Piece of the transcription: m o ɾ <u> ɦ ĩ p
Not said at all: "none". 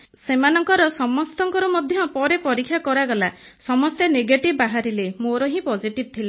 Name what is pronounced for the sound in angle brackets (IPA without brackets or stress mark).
ɔ